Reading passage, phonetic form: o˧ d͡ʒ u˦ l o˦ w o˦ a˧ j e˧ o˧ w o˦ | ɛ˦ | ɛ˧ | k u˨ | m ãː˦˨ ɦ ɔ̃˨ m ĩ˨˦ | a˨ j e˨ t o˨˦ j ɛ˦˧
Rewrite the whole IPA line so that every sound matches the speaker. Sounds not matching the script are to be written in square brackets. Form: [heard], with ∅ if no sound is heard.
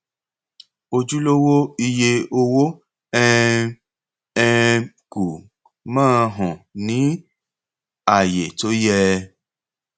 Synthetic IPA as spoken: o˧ d͡ʒ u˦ l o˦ w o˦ [i˧] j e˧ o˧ w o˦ | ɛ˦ | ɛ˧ | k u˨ | m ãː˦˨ ɦ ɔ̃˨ [n] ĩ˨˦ | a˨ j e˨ t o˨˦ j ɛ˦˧